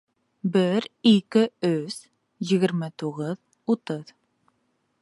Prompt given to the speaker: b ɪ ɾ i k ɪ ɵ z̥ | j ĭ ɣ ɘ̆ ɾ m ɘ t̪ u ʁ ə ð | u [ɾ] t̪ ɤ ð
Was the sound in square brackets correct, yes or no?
no